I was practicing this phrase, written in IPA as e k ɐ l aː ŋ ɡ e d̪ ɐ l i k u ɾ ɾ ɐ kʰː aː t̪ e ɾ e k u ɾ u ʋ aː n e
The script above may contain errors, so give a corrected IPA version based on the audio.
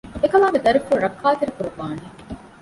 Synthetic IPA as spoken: e k ɐ l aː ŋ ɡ e d̪ ɐ ɾ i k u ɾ ɾ ɐ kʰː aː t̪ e ɾ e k u ɾ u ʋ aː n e